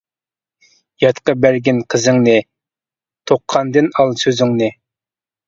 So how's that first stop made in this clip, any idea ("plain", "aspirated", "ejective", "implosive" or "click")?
plain